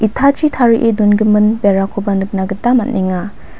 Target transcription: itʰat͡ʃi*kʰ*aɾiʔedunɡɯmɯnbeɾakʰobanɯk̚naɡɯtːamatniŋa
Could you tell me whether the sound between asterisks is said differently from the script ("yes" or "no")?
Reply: yes